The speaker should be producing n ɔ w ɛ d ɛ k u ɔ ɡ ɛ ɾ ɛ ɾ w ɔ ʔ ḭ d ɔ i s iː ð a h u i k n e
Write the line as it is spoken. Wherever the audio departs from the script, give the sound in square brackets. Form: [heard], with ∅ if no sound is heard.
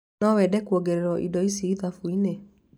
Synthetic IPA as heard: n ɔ w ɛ d ɛ k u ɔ ɡ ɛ ɾ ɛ ɾ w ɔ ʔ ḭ d ɔ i s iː ð a [f] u i [∅] n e